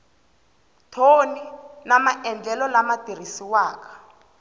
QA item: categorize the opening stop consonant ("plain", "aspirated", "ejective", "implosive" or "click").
aspirated